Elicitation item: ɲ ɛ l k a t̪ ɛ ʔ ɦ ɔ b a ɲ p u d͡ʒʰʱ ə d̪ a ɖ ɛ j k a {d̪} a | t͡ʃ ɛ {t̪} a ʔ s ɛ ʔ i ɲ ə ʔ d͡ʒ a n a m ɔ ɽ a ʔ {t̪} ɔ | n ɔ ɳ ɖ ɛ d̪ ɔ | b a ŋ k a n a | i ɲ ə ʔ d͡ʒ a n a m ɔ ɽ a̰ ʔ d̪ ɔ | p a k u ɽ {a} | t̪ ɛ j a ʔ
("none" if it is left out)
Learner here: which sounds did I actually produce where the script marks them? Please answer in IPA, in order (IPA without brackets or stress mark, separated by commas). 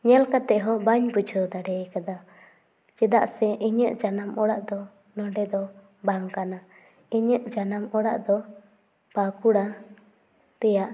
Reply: d̪, d̪, d̪, a